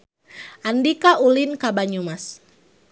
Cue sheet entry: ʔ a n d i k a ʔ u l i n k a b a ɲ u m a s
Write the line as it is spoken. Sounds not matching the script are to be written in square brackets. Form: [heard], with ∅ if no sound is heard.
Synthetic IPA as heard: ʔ a n d i k a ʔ u l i n k a b a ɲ u m a s